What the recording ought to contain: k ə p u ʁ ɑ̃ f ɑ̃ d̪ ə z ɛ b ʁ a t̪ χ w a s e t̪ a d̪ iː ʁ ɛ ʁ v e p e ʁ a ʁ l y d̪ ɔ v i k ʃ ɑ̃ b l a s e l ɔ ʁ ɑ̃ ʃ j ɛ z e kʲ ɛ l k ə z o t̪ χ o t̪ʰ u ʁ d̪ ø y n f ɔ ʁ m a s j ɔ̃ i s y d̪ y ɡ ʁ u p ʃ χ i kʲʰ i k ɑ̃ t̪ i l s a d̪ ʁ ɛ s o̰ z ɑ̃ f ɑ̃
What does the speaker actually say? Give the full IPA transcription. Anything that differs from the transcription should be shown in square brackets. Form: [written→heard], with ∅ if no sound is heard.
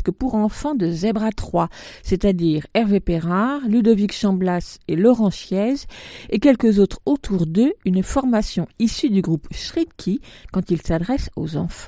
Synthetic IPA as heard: k ə p u ʁ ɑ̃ f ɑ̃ d̪ ə z ɛ b ʁ a t̪ χ w a s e t̪ a d̪ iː ʁ ɛ ʁ v e p e ʁ a ʁ l y d̪ ɔ v i k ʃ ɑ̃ b l a s e l ɔ ʁ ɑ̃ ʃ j ɛ z e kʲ ɛ l k ə z o t̪ χ o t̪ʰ u ʁ d̪ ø y n f ɔ ʁ m a s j ɔ̃ i s y d̪ y ɡ ʁ u p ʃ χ i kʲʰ i k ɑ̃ t̪ i l s a d̪ ʁ ɛ s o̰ z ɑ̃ f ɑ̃